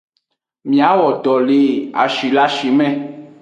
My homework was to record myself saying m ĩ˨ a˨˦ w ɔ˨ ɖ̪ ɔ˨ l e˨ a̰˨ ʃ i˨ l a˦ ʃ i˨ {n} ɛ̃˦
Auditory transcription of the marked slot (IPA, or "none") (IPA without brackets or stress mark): m